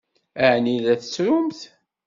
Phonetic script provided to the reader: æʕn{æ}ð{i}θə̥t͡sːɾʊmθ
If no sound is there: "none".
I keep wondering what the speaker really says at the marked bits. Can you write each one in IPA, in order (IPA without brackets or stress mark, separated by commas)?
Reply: i, æ